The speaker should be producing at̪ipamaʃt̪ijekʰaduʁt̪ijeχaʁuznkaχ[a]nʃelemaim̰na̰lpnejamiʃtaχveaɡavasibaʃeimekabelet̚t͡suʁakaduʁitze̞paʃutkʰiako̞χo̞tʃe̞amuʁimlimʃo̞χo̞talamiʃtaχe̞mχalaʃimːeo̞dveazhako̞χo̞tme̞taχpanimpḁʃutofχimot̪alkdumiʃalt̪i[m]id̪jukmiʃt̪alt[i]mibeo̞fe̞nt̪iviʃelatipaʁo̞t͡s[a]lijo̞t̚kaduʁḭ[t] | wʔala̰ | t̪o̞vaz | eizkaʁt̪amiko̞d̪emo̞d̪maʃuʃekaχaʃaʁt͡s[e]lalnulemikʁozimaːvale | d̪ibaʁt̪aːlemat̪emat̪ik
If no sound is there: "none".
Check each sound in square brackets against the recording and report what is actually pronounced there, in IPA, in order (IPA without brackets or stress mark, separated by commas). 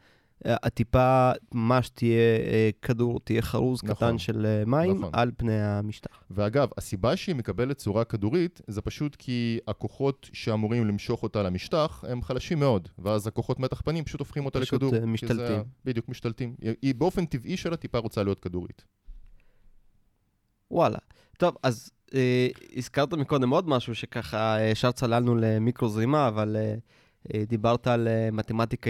a, b, i, a, t, a